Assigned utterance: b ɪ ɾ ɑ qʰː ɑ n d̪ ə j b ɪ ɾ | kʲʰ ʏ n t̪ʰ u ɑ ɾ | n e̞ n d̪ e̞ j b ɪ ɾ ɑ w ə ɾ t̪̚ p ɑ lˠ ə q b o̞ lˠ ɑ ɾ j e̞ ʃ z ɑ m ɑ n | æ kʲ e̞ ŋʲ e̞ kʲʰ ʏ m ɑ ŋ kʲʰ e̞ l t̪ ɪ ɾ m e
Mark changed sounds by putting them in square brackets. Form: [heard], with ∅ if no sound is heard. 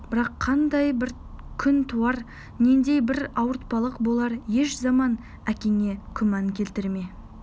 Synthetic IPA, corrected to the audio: b ɪ ɾ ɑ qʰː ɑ n d̪ [ɑ] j b ɪ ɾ | kʲʰ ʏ n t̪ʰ u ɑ ɾ | n e̞ n d̪ e̞ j b ɪ ɾ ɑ w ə ɾ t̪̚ p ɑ lˠ ə q b o̞ lˠ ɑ ɾ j e̞ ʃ z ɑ m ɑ n | æ kʲ e̞ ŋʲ e̞ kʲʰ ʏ m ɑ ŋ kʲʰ e̞ l t̪ ɪ ɾ m e